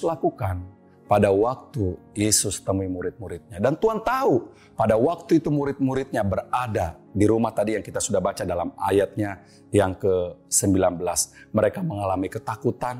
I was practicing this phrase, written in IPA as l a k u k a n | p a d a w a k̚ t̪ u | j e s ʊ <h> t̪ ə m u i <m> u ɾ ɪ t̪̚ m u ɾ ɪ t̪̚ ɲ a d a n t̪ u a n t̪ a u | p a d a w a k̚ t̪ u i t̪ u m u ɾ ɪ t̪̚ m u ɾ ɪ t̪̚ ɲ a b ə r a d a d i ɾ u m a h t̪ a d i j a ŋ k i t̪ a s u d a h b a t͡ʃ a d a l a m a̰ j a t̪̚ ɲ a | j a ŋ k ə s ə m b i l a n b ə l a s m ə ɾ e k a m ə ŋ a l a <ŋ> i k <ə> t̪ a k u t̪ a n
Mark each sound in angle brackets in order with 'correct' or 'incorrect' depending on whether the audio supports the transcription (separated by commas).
incorrect, correct, incorrect, correct